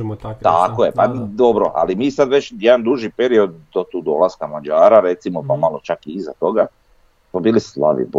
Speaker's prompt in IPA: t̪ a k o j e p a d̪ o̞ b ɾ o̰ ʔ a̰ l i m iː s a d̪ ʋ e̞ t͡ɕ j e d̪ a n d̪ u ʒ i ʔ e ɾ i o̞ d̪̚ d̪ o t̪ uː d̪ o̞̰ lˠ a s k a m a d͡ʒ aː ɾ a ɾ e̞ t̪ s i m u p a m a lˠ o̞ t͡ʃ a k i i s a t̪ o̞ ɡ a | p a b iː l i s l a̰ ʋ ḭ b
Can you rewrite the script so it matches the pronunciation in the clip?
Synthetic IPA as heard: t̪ a k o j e p a d̪ o̞ b ɾ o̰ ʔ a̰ l i m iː s a d̪ ʋ e̞ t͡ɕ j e d̪ a n d̪ u ʒ i p e ɾ i o̞ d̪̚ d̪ o t̪ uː d̪ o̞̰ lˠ a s k a m a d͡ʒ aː ɾ a ɾ e̞ t̪ s i m o p a m a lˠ o̞ t͡ʃ a k i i z a t̪ o̞ ɡ a | p a b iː l i s l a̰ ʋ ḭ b